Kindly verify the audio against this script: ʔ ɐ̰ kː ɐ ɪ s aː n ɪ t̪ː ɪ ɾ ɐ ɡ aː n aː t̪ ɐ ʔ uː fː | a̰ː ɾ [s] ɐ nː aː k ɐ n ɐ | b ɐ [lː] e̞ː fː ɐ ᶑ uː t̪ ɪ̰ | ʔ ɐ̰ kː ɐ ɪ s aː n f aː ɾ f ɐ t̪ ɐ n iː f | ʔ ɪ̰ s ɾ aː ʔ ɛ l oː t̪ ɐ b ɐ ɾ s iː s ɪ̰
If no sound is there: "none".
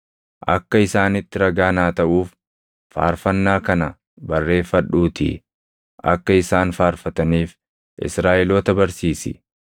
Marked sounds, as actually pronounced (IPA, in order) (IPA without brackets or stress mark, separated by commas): f, rː